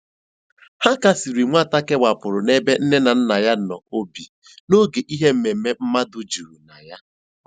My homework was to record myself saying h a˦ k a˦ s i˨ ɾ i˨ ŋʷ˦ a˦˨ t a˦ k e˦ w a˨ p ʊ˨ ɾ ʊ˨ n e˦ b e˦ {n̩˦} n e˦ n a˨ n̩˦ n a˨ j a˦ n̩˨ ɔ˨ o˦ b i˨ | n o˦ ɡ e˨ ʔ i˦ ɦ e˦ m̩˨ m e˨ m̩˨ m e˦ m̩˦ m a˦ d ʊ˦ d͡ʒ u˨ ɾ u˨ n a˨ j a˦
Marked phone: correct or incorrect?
correct